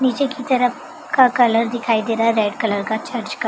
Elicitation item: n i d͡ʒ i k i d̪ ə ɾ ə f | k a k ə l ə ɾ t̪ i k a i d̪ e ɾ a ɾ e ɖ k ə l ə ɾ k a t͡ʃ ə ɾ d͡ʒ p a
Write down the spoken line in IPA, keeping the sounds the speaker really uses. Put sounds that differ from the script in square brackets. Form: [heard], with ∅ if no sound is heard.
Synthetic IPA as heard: n i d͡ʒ [e] k i [t̪] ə ɾ ə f | k a k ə l ə ɾ [d̪] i [kʰ] a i d̪ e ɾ a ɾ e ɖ k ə l ə ɾ k a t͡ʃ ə ɾ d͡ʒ [k] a